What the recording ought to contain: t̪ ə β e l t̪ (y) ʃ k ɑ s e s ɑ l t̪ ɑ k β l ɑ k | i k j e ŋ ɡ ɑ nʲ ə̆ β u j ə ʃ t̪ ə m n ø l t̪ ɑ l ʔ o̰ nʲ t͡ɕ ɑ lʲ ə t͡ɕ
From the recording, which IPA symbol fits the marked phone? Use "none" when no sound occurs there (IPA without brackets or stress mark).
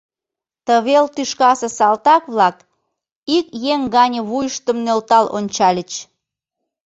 y